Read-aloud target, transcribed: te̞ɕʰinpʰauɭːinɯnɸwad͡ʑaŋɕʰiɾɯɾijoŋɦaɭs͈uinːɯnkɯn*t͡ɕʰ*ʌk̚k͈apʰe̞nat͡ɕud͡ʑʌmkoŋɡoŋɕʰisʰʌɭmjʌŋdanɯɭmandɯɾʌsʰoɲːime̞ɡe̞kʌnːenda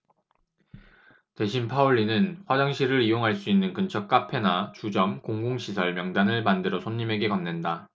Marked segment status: correct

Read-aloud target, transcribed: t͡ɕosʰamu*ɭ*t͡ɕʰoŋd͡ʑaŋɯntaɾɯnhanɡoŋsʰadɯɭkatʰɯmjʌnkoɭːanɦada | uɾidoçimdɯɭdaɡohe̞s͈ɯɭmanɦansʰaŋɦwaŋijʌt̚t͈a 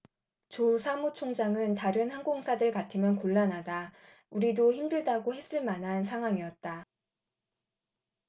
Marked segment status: incorrect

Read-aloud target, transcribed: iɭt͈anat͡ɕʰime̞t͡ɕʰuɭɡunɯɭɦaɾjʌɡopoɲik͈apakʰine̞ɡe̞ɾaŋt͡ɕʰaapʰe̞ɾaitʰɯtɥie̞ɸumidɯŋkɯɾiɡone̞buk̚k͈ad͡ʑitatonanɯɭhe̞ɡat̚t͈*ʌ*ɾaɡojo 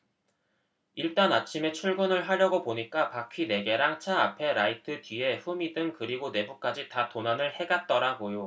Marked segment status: correct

